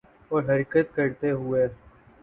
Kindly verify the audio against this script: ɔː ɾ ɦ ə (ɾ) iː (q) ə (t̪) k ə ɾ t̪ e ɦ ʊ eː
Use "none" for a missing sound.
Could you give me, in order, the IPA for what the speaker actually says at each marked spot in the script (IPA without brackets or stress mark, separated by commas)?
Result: ɾ, k, t̪